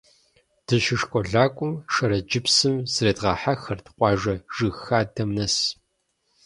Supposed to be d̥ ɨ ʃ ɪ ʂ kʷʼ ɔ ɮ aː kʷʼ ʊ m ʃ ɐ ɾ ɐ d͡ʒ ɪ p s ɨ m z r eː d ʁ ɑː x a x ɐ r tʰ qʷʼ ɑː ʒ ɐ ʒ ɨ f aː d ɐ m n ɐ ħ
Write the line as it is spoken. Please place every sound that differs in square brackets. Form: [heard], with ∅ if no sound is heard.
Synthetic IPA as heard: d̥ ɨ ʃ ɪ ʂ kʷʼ ɔ ɮ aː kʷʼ ʊ m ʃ ɐ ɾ ɐ d͡ʒ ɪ p s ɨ m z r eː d ʁ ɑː [ħ] a x ɐ r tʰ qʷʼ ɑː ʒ ɐ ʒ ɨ [x] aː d ɐ m n ɐ [s]